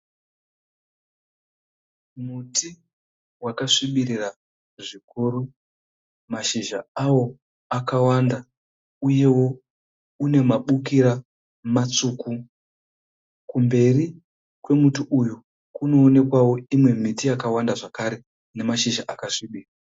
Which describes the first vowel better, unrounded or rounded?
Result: rounded